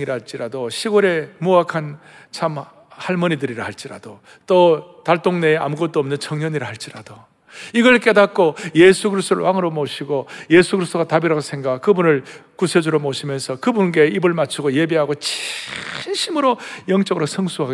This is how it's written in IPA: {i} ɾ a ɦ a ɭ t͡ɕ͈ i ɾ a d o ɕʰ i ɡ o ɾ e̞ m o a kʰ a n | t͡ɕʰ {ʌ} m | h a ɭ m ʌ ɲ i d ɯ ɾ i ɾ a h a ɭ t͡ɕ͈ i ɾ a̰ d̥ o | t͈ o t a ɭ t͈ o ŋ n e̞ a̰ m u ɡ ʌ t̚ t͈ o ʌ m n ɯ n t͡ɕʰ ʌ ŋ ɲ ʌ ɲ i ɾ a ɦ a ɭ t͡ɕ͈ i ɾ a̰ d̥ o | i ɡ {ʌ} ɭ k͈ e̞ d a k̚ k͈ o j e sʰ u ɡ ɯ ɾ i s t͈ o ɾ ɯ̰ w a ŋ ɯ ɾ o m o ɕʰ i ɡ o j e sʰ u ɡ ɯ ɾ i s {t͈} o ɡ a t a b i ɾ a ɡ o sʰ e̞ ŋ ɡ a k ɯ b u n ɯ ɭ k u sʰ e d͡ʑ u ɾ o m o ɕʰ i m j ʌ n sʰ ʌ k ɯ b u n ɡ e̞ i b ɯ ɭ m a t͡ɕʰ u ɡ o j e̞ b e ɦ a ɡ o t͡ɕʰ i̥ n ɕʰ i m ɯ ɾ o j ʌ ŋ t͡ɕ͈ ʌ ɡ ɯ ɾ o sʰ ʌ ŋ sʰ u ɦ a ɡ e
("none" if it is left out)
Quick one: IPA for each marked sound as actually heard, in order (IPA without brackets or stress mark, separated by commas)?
i, a, ʌ, t͈